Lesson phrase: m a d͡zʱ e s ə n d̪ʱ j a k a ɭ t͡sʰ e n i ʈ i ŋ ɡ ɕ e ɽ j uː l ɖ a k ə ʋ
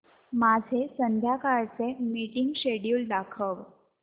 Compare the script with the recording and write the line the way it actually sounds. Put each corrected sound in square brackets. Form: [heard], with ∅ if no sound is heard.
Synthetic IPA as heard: m a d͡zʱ e s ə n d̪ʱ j a k a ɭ [t͡s] e [m] i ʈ i ŋ ɡ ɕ e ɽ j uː l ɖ a [kʰ] ə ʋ